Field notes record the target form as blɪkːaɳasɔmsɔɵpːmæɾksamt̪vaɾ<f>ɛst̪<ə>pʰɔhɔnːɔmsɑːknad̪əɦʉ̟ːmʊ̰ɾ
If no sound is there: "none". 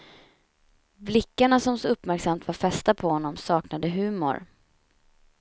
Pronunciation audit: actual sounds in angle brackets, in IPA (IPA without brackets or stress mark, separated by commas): f, a